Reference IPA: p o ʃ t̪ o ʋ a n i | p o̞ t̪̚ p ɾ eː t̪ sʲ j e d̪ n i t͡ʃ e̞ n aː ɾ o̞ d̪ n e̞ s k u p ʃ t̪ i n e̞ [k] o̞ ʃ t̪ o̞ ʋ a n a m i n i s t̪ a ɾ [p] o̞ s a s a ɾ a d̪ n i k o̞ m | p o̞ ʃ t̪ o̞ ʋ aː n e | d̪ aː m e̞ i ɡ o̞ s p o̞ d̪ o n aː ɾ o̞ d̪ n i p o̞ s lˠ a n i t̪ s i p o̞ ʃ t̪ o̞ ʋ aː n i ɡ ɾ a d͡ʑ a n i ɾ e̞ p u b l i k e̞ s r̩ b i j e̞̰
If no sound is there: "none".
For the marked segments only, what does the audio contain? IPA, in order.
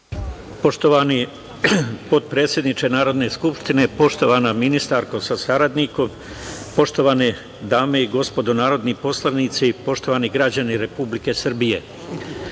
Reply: p, k

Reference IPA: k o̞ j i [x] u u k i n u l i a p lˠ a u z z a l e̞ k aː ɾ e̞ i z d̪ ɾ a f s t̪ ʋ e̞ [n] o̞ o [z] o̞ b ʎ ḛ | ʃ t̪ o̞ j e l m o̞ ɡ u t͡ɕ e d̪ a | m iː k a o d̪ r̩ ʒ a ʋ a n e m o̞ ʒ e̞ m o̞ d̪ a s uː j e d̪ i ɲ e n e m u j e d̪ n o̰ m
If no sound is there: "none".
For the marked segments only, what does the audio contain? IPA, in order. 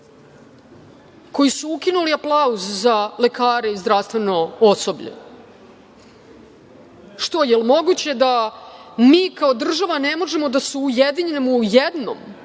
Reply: s, n, s

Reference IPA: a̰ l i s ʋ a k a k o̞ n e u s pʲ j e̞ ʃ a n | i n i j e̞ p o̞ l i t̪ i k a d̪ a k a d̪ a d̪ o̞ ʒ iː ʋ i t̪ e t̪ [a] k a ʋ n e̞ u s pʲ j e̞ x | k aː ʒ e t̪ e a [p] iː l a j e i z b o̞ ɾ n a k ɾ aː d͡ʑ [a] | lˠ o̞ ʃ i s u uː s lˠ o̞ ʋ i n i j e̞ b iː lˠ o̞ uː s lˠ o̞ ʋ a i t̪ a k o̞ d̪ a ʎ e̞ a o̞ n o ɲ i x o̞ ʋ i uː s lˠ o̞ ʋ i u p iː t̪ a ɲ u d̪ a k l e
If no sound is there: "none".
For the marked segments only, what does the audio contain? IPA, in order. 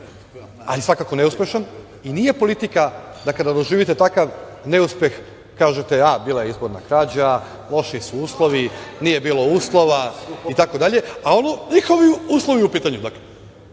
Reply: a, b, a

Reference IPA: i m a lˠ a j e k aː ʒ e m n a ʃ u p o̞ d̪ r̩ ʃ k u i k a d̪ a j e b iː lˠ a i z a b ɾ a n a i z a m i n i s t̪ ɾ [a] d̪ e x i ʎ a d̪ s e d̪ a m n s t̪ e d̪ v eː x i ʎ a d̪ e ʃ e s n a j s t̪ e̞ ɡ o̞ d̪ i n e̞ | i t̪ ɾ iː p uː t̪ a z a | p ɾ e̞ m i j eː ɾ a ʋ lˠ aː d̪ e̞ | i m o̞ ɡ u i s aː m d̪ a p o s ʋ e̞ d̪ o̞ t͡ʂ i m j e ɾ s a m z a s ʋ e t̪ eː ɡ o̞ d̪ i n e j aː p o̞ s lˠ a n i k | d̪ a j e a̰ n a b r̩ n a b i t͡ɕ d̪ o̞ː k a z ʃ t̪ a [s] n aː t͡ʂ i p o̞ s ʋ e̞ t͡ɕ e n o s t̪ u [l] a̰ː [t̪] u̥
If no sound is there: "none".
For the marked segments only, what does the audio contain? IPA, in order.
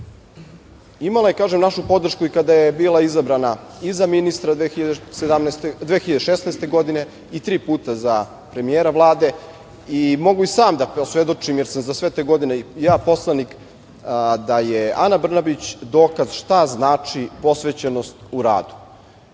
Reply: a, z, ɾ, d̪

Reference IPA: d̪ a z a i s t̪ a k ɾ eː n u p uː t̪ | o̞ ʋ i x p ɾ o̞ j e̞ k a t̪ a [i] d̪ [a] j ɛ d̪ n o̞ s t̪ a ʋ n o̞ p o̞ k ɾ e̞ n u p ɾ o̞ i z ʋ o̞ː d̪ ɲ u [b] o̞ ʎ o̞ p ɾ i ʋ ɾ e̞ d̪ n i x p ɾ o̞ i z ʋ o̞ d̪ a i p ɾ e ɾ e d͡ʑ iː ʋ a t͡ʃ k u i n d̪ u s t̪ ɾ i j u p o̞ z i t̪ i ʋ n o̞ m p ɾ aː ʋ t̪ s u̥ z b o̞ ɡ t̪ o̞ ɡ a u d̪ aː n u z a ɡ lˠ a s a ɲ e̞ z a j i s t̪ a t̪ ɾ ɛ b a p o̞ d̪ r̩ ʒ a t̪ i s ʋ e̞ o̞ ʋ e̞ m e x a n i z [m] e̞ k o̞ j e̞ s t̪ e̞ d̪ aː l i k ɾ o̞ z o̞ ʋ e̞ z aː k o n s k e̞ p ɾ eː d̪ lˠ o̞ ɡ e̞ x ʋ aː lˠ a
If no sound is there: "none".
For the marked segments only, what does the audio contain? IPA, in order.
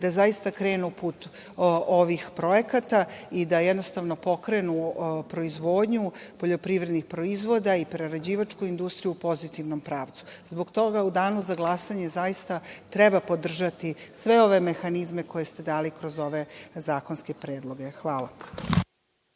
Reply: i, a, p, m

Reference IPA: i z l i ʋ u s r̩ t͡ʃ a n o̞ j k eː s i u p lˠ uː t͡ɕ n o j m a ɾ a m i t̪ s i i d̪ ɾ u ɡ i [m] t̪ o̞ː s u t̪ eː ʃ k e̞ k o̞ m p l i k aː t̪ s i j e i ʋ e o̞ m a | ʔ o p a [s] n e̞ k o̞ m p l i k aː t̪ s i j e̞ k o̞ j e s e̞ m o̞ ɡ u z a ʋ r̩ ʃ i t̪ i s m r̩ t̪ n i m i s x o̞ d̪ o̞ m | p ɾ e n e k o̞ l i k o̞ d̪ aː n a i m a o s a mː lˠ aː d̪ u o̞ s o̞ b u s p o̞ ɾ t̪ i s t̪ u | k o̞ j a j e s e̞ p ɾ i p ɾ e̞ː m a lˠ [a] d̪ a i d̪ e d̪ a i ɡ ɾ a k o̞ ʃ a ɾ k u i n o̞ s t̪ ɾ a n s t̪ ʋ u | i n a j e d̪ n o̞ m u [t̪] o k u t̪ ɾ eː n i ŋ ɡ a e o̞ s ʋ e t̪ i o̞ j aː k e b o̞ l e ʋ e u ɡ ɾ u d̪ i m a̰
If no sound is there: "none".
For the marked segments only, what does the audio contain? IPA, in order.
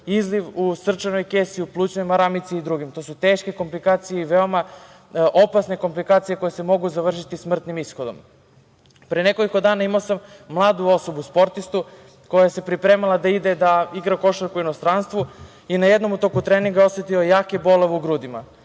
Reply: m, s, a, t̪

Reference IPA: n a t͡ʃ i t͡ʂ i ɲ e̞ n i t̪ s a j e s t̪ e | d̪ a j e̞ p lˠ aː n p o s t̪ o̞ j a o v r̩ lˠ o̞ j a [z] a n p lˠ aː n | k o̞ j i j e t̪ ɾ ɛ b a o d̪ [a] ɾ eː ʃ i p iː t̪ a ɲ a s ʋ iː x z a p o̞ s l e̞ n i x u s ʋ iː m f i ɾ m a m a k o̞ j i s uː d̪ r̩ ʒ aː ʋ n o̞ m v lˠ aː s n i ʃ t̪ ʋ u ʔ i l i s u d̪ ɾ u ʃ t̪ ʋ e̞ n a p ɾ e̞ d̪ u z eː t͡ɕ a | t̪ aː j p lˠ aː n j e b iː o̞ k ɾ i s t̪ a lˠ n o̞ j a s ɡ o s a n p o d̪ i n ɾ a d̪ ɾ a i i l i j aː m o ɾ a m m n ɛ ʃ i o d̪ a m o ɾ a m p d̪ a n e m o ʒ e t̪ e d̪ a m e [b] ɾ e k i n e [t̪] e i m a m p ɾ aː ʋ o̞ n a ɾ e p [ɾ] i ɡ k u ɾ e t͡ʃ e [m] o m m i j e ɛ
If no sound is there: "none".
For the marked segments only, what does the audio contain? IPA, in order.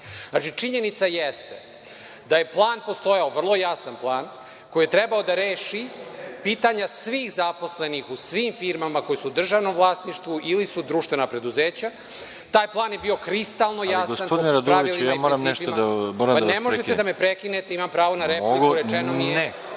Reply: s, a, p, t̪, l, n

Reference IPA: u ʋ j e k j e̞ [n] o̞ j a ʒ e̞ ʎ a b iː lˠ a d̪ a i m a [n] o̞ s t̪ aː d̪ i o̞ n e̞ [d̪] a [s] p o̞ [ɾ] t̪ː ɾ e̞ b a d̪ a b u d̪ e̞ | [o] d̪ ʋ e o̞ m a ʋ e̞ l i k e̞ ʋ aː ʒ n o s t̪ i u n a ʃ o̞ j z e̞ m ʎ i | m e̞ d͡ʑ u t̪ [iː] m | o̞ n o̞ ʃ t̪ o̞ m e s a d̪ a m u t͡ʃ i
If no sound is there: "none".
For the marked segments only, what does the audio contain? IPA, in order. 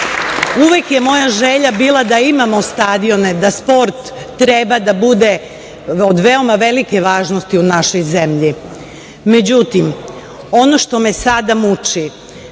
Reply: m, m, d̪, s, ɾ, o, i

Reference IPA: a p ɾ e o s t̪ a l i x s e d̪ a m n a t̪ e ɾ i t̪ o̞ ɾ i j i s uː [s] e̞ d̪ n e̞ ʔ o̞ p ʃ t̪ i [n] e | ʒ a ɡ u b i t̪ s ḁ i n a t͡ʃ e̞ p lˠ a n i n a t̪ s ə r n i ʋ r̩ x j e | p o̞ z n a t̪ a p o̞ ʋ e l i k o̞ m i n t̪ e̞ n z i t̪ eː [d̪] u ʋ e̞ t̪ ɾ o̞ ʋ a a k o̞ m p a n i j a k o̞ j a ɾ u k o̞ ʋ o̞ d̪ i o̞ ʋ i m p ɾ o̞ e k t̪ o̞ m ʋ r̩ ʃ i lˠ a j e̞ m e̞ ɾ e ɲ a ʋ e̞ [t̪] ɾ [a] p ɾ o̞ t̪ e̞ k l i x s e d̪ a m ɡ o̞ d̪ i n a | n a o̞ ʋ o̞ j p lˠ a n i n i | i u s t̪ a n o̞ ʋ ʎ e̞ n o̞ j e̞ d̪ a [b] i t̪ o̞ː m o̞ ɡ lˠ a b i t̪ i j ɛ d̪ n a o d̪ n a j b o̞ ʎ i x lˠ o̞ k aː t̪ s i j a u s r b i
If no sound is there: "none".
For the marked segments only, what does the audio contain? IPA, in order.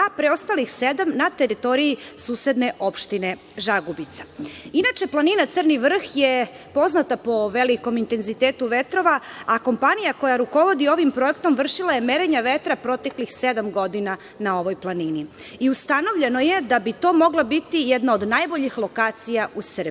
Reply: s, n, t̪, t̪, a, b

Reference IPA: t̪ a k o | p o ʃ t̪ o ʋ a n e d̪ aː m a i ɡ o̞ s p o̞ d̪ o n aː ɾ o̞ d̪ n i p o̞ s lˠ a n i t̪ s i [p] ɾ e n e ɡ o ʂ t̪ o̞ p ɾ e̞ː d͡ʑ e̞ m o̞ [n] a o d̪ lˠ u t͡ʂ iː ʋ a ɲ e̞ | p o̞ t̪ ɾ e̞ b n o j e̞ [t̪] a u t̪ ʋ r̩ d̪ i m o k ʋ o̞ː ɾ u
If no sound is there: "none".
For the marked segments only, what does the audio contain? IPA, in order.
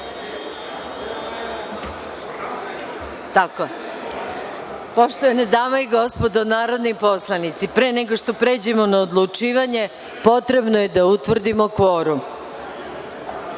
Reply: p, n, d̪

